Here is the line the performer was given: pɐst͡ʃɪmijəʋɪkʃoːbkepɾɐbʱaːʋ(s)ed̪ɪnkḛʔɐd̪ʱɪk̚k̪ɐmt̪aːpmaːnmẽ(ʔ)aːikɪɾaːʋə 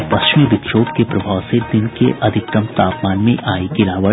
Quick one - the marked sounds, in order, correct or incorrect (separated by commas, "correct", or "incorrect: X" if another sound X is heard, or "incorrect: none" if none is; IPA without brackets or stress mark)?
correct, correct